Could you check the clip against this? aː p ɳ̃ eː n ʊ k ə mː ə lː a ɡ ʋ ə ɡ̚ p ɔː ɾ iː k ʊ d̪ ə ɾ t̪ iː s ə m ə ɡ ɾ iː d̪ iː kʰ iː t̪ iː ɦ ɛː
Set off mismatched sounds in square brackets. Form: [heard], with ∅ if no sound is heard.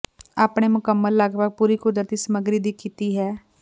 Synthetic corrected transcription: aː p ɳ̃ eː [m] ʊ k ə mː ə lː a ɡ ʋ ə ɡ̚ p [uː] ɾ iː k ʊ d̪ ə ɾ t̪ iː s ə m ə ɡ ɾ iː d̪ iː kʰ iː t̪ iː ɦ ɛː